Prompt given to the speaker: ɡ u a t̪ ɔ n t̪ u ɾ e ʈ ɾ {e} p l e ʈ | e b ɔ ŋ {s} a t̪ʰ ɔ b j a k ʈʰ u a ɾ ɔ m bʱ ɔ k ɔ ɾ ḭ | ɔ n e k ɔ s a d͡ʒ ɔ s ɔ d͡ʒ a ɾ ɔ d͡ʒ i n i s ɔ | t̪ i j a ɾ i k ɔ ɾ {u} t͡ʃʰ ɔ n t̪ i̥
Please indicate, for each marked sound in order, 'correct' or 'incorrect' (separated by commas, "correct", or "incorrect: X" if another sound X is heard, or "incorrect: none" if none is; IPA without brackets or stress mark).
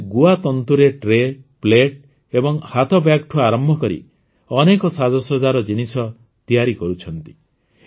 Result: correct, incorrect: h, correct